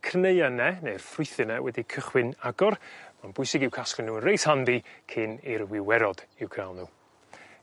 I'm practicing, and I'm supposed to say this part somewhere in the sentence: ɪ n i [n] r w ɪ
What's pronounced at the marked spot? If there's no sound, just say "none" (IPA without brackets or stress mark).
none